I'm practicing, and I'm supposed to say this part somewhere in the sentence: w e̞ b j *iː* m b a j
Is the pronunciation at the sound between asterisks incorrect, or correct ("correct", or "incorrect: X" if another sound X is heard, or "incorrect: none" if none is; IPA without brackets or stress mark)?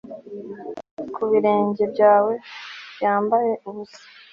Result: incorrect: aː